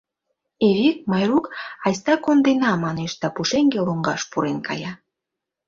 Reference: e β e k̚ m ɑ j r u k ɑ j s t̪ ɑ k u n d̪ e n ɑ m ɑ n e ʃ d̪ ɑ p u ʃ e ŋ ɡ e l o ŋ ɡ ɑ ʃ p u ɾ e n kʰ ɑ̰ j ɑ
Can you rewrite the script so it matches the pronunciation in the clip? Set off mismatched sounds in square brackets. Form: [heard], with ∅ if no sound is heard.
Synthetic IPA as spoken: e β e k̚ m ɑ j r u k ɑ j s t̪ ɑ k [o] n d̪ e n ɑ m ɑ n e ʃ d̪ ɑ p u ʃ e ŋ ɡ e l o ŋ ɡ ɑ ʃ p u ɾ e n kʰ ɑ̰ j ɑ